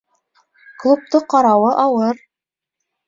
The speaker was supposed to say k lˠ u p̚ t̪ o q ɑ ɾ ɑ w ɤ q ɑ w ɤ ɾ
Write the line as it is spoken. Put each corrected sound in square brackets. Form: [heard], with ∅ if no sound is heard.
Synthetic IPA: k lˠ u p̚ t̪ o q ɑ ɾ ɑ w ɤ [ʔ] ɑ w ɤ ɾ